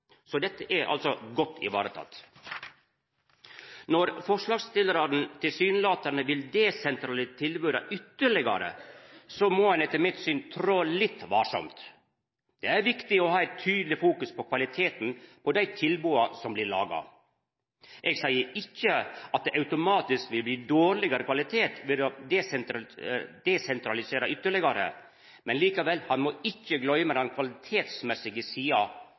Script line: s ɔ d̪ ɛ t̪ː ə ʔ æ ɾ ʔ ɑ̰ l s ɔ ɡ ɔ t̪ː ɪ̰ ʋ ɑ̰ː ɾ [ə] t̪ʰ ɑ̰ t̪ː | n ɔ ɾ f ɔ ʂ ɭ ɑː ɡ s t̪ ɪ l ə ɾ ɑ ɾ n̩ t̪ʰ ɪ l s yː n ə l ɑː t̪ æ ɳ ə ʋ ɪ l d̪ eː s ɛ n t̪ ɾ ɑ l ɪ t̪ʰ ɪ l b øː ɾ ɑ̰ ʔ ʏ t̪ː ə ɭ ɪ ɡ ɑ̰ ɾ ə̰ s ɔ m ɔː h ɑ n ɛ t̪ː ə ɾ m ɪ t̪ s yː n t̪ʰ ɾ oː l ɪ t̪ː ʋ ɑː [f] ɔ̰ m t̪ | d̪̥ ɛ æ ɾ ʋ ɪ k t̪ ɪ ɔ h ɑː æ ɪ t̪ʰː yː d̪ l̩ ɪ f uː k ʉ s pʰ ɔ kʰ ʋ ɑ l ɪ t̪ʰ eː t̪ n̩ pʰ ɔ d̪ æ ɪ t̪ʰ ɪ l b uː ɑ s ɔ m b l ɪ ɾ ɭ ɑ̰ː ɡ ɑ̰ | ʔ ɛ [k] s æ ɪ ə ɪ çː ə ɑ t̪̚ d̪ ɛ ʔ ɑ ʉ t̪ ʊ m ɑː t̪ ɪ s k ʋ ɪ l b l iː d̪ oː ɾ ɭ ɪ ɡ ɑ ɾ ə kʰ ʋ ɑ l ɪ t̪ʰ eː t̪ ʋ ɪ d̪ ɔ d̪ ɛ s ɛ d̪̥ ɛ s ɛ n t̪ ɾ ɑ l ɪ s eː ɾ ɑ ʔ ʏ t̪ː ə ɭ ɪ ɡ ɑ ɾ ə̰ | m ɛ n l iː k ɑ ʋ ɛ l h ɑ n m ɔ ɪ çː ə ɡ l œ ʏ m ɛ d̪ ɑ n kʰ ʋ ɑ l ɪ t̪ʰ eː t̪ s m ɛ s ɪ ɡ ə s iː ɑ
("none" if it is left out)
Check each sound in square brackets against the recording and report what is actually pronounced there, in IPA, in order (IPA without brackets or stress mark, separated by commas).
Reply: ə, ʂ, ɡ